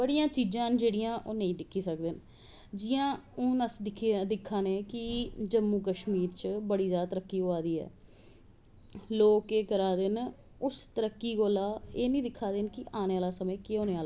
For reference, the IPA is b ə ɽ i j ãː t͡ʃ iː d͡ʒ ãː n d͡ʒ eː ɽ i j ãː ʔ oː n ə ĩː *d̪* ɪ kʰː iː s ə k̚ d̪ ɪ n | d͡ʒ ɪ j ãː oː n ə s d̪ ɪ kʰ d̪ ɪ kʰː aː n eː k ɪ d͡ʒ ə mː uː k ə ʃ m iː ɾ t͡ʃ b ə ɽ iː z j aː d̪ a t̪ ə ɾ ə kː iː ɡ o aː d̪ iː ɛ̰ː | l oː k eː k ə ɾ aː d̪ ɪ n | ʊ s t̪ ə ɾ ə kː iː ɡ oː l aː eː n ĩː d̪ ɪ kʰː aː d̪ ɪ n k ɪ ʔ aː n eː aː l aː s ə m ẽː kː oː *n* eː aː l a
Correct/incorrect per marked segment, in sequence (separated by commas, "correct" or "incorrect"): correct, correct